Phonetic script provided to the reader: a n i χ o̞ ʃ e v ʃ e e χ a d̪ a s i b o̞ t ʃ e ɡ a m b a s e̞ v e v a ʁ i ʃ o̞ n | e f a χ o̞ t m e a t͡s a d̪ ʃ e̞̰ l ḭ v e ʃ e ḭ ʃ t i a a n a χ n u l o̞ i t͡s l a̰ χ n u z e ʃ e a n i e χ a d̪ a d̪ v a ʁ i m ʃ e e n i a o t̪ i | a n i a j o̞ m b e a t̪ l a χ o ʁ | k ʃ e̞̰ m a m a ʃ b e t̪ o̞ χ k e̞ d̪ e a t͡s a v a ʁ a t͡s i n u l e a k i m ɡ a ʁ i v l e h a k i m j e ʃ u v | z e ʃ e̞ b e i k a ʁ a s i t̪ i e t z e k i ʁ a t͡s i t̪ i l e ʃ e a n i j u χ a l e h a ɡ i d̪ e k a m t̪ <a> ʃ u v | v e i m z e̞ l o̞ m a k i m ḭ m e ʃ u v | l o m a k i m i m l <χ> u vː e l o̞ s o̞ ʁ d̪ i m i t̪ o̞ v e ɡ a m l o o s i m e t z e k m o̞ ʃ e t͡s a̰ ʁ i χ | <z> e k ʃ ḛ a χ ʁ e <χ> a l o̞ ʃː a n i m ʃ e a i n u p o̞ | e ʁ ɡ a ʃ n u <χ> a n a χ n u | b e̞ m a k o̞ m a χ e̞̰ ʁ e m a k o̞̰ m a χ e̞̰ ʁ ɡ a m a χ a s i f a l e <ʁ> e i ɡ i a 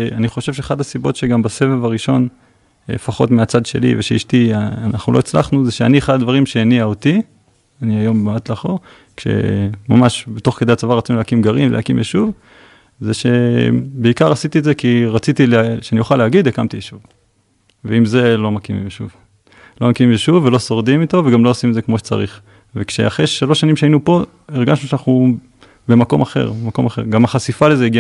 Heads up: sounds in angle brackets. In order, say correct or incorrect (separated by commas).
incorrect, incorrect, incorrect, incorrect, incorrect, incorrect